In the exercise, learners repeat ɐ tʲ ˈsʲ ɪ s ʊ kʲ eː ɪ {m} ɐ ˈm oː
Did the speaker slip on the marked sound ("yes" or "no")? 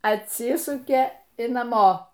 yes